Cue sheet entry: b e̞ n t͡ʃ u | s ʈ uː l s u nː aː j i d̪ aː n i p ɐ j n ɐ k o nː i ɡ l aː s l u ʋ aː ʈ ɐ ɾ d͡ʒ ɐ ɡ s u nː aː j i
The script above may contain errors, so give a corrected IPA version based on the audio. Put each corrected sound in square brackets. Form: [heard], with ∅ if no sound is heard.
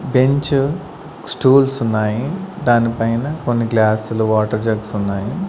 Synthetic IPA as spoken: b e̞ [ɲ] t͡ʃ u | s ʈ uː l s u nː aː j i d̪ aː n i p ɐ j n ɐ k o nː i ɡ l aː s l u ʋ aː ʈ ɐ ɾ d͡ʒ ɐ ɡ s u nː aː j i